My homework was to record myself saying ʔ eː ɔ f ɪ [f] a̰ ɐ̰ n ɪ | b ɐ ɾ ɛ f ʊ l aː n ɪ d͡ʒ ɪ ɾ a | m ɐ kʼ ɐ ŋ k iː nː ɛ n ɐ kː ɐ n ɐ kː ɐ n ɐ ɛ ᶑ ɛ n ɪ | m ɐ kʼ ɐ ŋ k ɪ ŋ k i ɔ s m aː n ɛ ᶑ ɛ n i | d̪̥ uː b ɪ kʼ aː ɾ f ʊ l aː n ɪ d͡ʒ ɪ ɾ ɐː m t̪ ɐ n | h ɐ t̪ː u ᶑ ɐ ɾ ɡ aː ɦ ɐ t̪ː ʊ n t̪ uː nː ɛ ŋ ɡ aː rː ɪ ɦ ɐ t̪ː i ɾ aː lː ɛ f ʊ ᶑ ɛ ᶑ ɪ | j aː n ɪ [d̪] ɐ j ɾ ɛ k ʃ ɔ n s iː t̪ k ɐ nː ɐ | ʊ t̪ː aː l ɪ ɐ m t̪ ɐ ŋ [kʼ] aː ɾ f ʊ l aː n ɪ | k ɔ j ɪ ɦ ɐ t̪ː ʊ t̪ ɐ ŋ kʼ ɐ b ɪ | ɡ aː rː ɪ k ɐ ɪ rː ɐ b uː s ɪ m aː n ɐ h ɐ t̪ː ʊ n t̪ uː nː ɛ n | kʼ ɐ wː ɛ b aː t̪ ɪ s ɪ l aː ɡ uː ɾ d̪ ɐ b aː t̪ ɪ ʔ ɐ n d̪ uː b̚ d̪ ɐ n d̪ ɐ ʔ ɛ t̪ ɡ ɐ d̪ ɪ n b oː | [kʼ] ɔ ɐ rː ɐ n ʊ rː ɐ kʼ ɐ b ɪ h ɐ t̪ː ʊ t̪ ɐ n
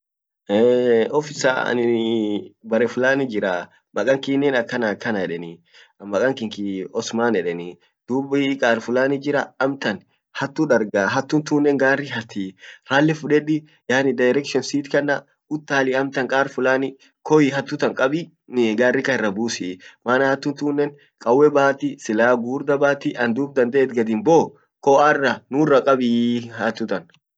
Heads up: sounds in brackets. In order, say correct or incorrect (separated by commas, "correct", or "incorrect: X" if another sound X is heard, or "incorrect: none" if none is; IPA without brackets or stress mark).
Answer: incorrect: s, correct, correct, incorrect: k